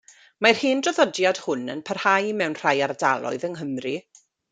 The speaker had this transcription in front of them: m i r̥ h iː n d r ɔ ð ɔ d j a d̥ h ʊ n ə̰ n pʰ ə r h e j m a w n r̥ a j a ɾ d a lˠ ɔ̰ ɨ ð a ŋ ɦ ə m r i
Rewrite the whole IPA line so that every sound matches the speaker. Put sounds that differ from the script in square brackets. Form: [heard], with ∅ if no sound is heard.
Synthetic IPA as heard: m [a] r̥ h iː n d r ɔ ð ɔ d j a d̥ h ʊ n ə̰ n pʰ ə r h [a] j m [ɛ] w n r̥ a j a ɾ d a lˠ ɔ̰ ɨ ð [ə] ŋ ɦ ə m r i